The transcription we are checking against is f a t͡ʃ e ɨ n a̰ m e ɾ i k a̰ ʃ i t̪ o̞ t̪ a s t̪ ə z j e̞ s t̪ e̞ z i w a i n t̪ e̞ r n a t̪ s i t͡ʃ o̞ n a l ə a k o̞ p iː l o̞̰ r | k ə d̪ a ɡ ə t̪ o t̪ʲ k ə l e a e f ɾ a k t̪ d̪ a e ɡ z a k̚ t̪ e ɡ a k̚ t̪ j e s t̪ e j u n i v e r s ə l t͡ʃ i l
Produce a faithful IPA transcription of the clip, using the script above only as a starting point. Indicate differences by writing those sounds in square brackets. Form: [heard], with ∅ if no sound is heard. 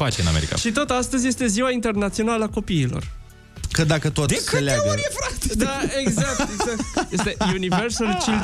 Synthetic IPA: f a t͡ʃ e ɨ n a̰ m e ɾ i k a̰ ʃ i t̪ o̞ t̪ a s t̪ ə z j e̞ s t̪ e̞ z i w a i n t̪ e̞ r n a t̪ s i [∅] o̞ n a l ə a k o̞ p iː l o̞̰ r | k ə d̪ a [k] ə t̪ o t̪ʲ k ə l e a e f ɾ a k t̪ d̪ a e ɡ z a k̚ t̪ e ɡ a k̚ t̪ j e s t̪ e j u n i v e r s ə l t͡ʃ i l